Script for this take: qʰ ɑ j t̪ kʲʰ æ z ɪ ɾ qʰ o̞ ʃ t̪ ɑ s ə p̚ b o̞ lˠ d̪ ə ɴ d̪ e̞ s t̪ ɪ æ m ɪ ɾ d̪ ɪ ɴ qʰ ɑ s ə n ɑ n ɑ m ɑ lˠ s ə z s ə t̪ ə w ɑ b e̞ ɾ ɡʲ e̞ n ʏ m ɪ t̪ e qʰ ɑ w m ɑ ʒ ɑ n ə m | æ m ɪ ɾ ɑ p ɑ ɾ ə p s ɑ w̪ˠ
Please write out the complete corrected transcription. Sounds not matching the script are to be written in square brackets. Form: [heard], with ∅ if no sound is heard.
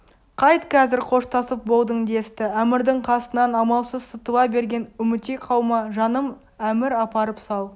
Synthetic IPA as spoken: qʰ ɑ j t̪ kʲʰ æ z ɪ ɾ qʰ o̞ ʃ t̪ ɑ s ə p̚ b o̞ lˠ d̪ ə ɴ d̪ e̞ s t̪ ɪ æ m ɪ ɾ d̪ ɪ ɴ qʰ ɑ s ə n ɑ n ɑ m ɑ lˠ s ə z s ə t̪ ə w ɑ b e̞ ɾ ɡʲ e̞ n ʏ m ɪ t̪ e qʰ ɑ w m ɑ ʒ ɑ n ə m | æ m ɪ ɾ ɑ p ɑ ɾ ə p s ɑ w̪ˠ

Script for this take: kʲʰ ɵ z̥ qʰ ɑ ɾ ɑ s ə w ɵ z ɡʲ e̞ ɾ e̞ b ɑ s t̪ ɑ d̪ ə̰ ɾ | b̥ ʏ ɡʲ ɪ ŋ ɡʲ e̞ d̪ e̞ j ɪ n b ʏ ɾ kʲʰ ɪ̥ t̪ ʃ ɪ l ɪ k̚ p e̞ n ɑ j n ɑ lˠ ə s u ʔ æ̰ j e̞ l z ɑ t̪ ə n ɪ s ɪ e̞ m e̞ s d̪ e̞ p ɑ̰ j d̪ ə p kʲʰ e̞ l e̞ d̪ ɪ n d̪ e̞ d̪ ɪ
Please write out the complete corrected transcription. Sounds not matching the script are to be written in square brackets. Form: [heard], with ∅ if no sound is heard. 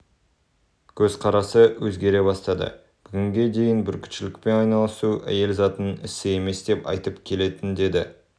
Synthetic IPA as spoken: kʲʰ ɵ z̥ qʰ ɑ ɾ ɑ s ə w ɵ z ɡʲ e̞ ɾ e̞ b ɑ s t̪ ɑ d̪ ə̰ [∅] | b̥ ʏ ɡʲ ɪ ŋ ɡʲ e̞ d̪ e̞ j ɪ n b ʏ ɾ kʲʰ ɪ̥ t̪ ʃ ɪ l ɪ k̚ p e̞ n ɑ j n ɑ lˠ ə s u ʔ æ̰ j e̞ l z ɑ t̪ ə n ɪ s ɪ e̞ m e̞ s d̪ e̞ p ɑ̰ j [t̪] ə p kʲʰ e̞ l e̞ [t̪] ɪ n d̪ e̞ d̪ ɪ

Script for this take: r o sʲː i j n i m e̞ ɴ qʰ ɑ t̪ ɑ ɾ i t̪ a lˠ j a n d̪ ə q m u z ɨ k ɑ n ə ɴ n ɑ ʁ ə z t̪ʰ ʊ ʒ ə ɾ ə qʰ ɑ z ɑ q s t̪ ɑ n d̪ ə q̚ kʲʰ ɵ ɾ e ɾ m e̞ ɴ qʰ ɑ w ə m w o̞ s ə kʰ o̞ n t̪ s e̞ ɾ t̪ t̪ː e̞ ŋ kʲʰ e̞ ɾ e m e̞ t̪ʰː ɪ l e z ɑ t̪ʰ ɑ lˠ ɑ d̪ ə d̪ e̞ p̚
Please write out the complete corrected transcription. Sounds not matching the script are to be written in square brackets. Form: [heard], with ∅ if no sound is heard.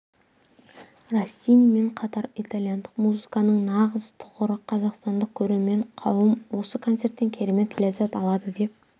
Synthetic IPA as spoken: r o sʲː i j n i m e̞ ɴ qʰ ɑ t̪ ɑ ɾ i t̪ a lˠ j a n d̪ ə q m u z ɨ k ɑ n ə ɴ n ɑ ʁ ə z t̪ʰ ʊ [ʁ] ə ɾ ə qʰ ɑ z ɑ q s t̪ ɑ n d̪ ə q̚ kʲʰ ɵ ɾ e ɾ m e̞ ɴ qʰ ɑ w ə m w o̞ s ə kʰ o̞ n t̪ s e̞ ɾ t̪ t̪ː e̞ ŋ kʲʰ e̞ ɾ e m e̞ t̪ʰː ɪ l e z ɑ [t̪] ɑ lˠ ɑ d̪ ə d̪ e̞ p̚

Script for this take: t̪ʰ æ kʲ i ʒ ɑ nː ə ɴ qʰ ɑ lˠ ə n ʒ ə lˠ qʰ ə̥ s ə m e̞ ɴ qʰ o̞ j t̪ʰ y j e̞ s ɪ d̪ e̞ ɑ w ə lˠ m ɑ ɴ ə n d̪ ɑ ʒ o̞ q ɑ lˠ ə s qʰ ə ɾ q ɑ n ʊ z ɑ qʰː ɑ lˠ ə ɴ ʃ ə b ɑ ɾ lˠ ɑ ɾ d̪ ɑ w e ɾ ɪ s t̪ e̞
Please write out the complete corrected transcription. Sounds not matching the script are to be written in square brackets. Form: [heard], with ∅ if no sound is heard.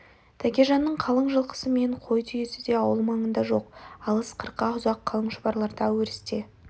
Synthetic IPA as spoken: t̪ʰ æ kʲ [e] ʒ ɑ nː ə ɴ qʰ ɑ lˠ ə [ɴ] ʒ ə lˠ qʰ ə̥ s ə m e̞ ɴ qʰ o̞ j t̪ʰ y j e̞ s ɪ d̪ e̞ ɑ w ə lˠ m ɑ ɴ ə n d̪ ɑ ʒ o̞ q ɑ lˠ ə s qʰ ə ɾ q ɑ [∅] ʊ z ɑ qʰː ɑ lˠ ə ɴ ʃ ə b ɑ ɾ lˠ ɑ ɾ d̪ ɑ w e ɾ ɪ s t̪ e̞

